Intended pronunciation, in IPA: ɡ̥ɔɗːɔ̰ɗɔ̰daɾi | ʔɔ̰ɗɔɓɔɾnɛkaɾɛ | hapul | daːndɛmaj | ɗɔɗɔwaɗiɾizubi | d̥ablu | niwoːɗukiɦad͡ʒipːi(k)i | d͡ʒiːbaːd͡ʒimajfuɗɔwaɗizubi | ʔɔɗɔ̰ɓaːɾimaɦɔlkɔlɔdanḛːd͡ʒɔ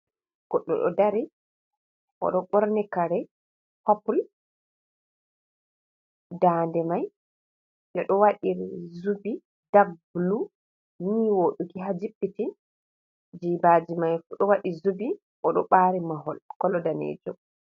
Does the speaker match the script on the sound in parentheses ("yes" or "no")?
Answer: no